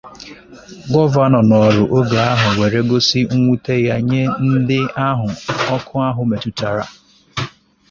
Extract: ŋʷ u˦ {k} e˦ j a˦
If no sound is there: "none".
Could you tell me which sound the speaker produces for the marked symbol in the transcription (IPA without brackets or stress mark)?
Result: t